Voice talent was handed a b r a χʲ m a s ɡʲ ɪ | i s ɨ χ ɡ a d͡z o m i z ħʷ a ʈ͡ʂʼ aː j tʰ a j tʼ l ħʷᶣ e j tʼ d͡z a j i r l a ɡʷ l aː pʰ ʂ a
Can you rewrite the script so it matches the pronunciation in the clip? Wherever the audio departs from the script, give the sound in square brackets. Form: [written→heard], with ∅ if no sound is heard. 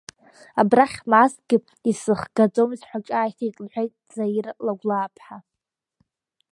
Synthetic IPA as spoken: a b r a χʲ m a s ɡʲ ɪ | i s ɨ χ ɡ a d͡z o m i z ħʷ a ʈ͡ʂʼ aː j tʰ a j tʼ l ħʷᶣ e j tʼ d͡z a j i r l a ɡʷ l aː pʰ [ʂ→ħ] a

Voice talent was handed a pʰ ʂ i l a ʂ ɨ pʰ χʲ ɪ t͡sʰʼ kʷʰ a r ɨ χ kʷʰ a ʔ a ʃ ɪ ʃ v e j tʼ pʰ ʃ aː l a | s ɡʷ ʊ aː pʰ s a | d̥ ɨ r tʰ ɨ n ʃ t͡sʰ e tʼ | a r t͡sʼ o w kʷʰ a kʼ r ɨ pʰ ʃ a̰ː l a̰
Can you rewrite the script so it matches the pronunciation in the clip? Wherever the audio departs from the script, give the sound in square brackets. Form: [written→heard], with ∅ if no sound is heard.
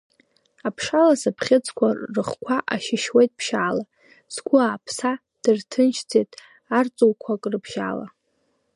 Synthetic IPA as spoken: a pʰ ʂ [i→a] l a [ʂ→s] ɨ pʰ χʲ ɪ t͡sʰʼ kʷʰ a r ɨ χ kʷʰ a ʔ a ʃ ɪ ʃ [v→w] e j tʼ pʰ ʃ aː l a | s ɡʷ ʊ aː pʰ s a | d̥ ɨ r tʰ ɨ n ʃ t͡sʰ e tʼ | a r t͡sʼ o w kʷʰ a kʼ r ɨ pʰ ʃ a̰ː l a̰

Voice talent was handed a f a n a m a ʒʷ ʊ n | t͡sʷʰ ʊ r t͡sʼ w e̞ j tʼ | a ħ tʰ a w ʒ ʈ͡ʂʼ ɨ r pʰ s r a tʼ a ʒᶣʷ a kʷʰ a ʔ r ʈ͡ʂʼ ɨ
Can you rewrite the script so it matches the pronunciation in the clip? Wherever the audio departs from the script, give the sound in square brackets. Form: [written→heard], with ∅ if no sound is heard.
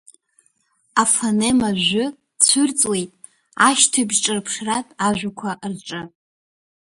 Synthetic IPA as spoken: a f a n [a→e] m a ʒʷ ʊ [n→∅] | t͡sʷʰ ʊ r t͡sʼ w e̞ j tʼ | a [ħ→ʃ] tʰ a [w→b] ʒ ʈ͡ʂʼ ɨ r pʰ [s→ʂ] r a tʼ a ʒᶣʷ a kʷʰ a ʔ r ʈ͡ʂʼ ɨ

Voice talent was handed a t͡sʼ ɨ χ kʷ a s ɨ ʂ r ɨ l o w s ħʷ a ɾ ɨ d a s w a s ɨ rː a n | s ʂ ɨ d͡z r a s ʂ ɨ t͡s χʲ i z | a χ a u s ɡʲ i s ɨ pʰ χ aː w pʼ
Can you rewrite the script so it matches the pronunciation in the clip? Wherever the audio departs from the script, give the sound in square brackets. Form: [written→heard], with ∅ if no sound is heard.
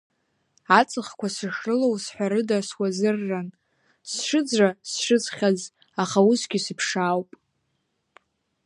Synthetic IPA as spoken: a t͡sʼ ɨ χ kʷ a s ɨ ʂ r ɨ l o w s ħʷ a ɾ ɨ d a s w a [s→z] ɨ rː a n | s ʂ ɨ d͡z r a s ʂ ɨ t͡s χʲ [i→a] z | a χ a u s ɡʲ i s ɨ pʰ [χ→ʂ] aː w pʼ

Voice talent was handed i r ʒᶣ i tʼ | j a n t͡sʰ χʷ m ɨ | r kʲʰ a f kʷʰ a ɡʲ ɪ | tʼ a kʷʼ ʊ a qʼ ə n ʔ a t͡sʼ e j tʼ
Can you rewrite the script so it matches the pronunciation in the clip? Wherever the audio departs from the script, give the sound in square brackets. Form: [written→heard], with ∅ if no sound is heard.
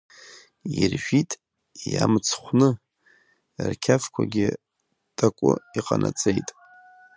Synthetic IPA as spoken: i r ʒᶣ i tʼ | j a [n→m] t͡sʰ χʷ [m→n] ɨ | r kʲʰ a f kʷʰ a ɡʲ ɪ | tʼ a kʷʼ ʊ [a→i] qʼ [ə→a] n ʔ a t͡sʼ e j tʼ

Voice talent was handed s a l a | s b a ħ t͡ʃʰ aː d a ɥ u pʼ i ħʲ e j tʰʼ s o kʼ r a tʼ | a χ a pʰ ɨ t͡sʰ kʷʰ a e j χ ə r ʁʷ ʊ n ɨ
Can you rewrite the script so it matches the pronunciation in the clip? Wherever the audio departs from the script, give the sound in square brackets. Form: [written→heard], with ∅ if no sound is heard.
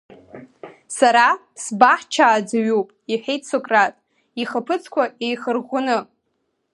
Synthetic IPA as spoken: s a [l→ɾ] a | s b a ħ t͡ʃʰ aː [d→d͡z] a ɥ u pʼ i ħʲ e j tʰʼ s o kʼ r a tʼ | [a→i] χ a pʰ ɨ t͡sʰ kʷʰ a e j χ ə r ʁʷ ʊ n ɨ

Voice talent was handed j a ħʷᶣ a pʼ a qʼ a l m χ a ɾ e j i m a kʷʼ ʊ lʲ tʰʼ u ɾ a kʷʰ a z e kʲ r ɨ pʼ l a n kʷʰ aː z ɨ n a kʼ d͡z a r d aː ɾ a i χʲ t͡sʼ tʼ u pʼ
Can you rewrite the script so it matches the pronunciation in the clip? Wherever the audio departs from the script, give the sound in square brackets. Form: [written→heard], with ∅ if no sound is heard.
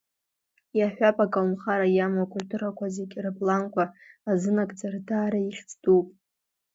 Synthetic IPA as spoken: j a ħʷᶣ a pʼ a [qʼ→kʼ] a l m χ a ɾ [e→a] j [i→a] m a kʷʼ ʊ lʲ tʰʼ u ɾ a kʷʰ a z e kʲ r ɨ pʼ l a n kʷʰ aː z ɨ n a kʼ d͡z a r d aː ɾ a i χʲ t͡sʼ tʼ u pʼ

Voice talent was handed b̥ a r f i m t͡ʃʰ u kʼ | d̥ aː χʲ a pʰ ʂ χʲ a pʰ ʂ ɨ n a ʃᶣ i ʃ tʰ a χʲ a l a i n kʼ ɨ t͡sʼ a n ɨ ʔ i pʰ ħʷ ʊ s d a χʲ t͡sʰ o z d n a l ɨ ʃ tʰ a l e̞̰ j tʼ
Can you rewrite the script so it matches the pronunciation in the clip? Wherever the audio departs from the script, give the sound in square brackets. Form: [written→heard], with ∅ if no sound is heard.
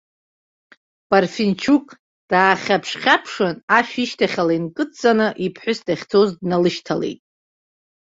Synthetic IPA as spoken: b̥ a r f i [m→n] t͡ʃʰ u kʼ | d̥ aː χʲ a pʰ ʂ χʲ a pʰ ʂ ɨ n a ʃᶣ i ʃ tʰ a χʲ a l a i n kʼ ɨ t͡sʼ a n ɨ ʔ i pʰ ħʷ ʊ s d a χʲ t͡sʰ o z d n a l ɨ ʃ tʰ a l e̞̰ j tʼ

